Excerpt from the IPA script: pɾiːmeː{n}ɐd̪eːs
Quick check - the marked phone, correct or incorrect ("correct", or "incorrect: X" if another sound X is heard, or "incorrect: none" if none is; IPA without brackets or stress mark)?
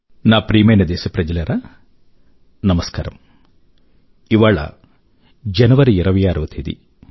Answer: correct